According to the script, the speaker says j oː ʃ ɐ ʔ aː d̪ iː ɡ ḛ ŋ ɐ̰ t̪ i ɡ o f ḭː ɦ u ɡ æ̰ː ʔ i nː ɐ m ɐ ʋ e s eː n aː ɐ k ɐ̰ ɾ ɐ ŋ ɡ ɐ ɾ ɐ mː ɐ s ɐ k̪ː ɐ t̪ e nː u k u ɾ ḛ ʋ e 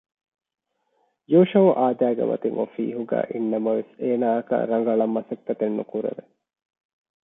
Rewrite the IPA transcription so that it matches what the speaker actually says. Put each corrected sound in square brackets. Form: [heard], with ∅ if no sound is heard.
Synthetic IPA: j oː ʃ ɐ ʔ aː d̪ [æː] ɡ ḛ [m] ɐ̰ t̪ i [ŋ] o f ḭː ɦ u ɡ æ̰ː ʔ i nː ɐ m ɐ ʋ e s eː n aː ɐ k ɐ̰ ɾ ɐ ŋ ɡ ɐ [ɭ] ɐ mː ɐ s ɐ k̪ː ɐ t̪ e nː u k u ɾ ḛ ʋ e